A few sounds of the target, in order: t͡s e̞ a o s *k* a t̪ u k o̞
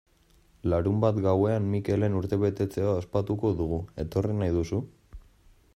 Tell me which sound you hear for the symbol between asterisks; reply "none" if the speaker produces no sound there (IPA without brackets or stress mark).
p